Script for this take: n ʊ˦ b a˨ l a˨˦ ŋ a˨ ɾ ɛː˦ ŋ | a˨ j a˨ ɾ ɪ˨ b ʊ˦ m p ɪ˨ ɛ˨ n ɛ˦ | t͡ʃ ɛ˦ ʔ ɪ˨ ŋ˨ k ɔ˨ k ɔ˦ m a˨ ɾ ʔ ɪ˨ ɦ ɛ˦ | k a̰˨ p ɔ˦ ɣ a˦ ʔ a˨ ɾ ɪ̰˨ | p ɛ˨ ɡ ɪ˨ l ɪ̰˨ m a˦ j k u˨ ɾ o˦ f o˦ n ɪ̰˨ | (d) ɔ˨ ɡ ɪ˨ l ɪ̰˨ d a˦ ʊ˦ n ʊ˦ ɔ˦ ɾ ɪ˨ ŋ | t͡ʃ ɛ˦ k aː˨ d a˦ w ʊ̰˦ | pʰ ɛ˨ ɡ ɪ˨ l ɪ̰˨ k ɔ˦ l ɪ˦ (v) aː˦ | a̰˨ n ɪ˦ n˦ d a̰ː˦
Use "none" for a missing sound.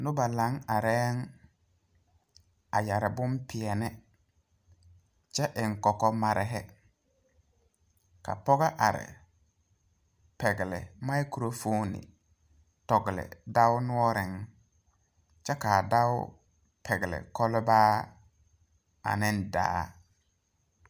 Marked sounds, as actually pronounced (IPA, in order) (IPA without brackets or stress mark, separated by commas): t, b